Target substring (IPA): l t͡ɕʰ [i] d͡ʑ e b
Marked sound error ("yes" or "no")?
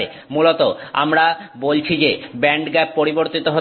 no